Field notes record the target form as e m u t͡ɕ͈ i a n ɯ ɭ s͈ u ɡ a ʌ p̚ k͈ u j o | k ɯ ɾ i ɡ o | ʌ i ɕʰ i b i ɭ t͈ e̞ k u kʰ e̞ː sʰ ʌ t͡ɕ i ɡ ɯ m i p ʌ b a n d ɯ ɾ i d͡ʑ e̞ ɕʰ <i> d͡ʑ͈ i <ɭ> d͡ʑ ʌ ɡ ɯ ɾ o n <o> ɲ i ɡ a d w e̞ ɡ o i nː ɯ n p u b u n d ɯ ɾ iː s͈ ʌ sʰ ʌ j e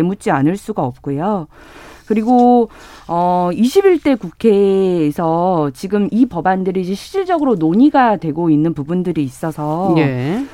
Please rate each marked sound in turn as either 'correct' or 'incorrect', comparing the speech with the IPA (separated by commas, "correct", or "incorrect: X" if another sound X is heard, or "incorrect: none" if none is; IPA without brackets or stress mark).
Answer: correct, correct, correct